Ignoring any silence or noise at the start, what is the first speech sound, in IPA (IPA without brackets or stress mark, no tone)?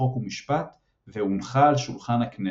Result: o